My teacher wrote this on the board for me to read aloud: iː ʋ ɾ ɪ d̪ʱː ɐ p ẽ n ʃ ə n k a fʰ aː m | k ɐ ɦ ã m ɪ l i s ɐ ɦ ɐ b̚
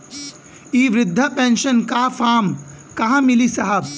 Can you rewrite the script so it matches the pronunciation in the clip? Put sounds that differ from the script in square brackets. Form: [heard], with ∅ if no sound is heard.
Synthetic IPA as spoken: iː ʋ ɾ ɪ d̪ʱː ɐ p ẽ n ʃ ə n k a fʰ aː m | k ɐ ɦ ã m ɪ l i s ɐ ɦ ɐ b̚